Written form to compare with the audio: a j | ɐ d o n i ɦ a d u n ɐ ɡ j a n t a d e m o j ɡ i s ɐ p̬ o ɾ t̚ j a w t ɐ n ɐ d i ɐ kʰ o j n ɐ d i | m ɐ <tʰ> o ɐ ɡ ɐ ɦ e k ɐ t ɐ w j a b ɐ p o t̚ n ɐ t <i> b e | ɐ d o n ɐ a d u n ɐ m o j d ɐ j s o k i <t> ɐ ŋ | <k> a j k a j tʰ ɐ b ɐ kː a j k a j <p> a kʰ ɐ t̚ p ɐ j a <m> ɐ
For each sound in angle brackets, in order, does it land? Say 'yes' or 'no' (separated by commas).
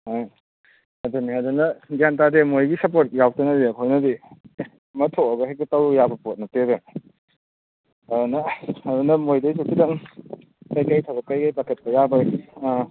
yes, no, no, yes, yes, no